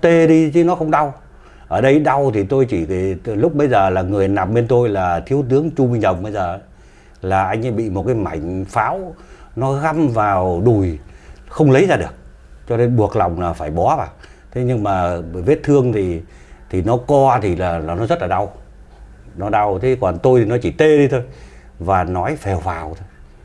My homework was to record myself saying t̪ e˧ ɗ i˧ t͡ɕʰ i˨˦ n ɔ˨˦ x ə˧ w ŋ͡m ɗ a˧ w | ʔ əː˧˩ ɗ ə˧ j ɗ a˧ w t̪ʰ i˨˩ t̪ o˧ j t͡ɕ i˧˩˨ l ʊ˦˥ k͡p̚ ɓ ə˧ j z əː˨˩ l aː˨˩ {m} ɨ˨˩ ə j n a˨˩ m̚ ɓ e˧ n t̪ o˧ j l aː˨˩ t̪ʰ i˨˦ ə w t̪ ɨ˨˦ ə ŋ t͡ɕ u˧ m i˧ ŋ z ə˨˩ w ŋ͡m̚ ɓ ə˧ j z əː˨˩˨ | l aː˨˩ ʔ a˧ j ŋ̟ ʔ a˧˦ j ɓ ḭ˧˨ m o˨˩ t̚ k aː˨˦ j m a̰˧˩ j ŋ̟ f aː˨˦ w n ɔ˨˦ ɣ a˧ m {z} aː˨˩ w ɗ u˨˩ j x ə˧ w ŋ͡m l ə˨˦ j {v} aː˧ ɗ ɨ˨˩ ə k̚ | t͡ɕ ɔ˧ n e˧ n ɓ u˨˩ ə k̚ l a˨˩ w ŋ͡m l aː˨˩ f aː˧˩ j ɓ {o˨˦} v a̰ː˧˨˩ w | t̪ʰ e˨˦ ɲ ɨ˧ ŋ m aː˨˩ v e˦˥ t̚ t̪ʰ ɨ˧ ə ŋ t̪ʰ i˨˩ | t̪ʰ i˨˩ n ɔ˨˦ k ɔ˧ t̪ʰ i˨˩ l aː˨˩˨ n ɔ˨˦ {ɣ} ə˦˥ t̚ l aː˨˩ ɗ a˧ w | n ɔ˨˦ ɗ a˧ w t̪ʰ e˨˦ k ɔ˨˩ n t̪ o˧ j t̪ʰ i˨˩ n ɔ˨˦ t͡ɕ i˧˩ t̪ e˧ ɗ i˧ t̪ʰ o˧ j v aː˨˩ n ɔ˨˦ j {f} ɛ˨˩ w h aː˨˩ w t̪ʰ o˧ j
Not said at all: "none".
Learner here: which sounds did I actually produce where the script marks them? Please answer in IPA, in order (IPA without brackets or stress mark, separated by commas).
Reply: ŋ, v, z, ɔ˨˦, z, f